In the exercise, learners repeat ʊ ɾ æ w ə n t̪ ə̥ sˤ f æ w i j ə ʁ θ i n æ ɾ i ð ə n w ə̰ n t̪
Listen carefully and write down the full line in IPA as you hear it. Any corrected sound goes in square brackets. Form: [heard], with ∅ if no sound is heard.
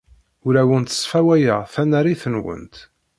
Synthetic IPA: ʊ ɾ æ w ə n t̪ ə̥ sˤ f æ w [æ] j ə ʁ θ [æ] n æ ɾ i [θ] ə n w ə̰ n t̪

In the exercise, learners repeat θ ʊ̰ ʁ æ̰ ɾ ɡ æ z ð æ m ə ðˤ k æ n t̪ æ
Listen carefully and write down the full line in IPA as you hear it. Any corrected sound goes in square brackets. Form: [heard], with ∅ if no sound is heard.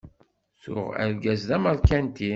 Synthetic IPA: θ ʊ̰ ʁ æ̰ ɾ ɡ æ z ð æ m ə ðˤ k æ n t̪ [i]

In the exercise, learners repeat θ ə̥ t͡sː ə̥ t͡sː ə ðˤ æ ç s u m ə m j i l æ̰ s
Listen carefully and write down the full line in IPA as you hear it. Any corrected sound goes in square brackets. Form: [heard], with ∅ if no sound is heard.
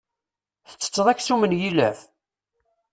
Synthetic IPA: θ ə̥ t͡sː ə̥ t͡sː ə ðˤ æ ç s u m ə [n] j i l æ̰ [f]

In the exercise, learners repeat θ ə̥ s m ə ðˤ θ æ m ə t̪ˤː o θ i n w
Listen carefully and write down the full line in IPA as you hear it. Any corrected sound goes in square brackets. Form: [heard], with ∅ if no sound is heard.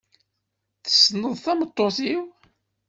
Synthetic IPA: θ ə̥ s [n] ə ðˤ θ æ m ə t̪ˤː o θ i [∅] w

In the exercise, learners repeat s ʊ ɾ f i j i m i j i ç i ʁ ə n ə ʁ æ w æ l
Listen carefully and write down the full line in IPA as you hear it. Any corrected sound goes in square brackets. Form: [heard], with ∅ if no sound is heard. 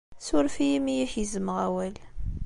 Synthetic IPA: s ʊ ɾ f i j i m i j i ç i [z] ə [m] ə ʁ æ w æ l

